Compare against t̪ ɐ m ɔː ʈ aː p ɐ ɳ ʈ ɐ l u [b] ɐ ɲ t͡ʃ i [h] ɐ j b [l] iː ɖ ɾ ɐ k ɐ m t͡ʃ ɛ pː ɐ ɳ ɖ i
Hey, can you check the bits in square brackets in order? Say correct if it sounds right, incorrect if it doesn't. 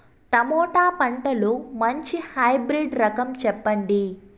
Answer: incorrect, correct, incorrect

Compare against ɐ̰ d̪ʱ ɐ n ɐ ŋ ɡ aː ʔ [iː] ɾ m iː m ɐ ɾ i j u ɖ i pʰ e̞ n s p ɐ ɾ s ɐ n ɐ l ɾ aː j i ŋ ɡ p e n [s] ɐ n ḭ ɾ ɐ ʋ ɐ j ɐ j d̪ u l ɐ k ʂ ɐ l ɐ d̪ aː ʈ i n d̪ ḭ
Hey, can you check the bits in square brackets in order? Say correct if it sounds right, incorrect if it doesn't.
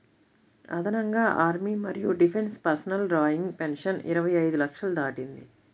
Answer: incorrect, incorrect

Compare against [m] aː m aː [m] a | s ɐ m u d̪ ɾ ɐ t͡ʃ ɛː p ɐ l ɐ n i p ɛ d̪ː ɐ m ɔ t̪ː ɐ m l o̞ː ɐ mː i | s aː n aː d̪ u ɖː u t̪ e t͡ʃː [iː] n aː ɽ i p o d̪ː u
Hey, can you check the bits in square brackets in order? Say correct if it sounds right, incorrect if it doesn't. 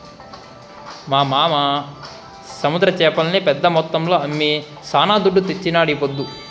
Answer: correct, correct, incorrect

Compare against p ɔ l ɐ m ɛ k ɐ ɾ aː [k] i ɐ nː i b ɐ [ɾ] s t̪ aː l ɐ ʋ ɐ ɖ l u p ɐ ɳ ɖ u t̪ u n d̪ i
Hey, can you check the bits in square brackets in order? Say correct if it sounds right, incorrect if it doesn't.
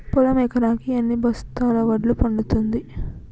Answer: correct, incorrect

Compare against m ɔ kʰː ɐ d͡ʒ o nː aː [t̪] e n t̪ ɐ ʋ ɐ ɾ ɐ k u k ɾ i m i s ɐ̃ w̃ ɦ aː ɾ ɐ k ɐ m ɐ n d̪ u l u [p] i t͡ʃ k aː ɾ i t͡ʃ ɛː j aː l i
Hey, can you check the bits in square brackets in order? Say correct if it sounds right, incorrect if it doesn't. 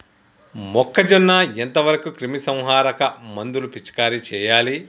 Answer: incorrect, correct

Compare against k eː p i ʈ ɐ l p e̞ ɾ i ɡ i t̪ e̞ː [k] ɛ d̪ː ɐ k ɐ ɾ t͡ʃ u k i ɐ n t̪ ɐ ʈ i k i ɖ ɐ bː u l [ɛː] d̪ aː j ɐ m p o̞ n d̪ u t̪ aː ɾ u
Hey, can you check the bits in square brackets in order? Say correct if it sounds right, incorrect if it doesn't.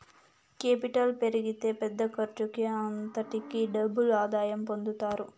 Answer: incorrect, incorrect

